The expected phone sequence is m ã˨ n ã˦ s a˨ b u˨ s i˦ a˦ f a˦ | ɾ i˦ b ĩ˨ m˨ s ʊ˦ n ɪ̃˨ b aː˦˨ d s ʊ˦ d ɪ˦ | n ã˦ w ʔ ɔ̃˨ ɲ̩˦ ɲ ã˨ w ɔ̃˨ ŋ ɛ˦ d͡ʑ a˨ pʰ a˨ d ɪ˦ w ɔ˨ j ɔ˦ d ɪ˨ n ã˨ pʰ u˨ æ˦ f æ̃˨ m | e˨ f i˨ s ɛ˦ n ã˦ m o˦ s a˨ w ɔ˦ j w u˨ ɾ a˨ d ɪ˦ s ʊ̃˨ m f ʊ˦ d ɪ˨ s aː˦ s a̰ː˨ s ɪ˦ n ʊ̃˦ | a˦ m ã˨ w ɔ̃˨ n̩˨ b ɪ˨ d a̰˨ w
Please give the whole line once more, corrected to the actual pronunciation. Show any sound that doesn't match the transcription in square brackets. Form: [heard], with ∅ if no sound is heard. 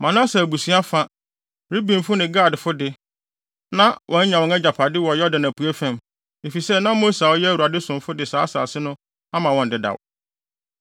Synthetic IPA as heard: m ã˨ n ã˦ s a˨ b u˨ s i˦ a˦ f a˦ | ɾ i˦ b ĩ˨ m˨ [f] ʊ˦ n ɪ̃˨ [ɡ] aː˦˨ d [f] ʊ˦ d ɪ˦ | n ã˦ w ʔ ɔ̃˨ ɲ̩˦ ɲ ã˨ w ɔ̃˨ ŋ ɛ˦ d͡ʑ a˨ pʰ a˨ d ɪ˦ w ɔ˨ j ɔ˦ d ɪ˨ n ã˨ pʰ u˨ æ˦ f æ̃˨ m | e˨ f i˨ s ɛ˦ n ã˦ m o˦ s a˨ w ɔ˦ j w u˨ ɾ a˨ d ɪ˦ s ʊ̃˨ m f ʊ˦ d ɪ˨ s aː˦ s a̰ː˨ s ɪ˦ n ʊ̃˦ | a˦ m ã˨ w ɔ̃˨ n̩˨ [d] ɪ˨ d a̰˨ w